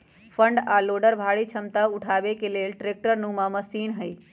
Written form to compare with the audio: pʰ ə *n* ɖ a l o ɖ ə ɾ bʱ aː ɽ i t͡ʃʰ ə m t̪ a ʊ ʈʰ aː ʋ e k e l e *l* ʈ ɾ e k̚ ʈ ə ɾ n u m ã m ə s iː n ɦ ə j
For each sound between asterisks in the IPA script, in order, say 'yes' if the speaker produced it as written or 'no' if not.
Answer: no, yes

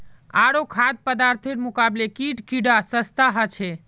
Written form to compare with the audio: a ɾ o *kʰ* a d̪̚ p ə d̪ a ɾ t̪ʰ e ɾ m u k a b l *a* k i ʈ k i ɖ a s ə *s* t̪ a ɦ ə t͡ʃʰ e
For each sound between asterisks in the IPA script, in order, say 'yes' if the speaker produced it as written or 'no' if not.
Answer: yes, no, yes

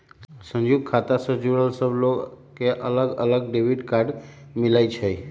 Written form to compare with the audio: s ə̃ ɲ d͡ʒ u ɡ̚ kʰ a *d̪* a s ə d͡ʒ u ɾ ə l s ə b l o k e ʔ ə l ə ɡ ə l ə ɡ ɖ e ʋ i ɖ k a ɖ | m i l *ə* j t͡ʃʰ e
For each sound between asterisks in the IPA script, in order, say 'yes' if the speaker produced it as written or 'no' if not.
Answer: no, no

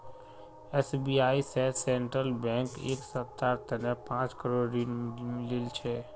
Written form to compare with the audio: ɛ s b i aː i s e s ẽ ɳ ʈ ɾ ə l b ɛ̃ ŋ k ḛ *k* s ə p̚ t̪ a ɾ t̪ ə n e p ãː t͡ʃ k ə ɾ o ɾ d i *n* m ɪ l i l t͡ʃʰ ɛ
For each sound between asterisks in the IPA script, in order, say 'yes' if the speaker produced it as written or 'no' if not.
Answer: yes, yes

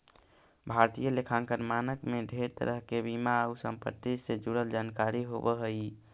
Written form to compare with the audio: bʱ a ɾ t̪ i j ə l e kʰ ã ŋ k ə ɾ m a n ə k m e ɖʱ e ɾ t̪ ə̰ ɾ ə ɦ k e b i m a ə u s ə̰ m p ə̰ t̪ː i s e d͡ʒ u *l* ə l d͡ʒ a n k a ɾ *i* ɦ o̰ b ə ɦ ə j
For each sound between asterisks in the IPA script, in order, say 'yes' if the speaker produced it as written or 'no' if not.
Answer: no, yes

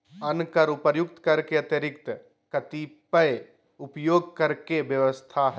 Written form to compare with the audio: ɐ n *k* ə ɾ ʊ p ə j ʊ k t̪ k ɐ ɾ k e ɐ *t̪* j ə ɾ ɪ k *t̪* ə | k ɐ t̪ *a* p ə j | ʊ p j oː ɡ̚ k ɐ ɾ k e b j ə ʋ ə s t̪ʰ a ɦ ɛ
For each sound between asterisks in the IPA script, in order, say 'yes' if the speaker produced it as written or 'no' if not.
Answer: yes, yes, yes, no

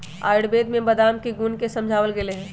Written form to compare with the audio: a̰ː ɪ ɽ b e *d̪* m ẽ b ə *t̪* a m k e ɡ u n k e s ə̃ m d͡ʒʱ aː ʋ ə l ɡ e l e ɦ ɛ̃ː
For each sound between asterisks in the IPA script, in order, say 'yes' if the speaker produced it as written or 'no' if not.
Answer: yes, no

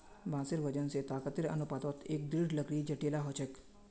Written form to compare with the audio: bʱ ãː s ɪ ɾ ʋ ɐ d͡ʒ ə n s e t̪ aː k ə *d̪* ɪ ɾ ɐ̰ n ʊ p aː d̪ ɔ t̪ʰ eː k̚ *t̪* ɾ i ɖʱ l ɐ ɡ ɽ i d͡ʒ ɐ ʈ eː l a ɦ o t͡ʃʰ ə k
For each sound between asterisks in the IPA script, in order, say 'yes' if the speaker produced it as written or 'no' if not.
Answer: no, no

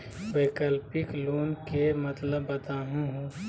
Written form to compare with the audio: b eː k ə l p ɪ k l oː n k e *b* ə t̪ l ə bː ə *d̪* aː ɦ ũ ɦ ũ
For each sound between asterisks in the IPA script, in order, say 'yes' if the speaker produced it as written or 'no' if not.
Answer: no, no

